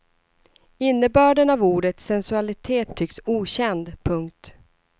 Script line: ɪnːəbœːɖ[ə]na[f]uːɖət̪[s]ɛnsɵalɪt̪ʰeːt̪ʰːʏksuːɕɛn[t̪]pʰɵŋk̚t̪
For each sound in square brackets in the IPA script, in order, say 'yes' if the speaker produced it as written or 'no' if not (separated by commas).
yes, no, yes, no